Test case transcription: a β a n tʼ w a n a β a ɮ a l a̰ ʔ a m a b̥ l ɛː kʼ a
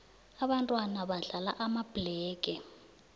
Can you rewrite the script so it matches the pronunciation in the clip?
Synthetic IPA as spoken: a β a n tʼ w a n a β a ɮ a l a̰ ʔ a m a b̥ l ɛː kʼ ɛ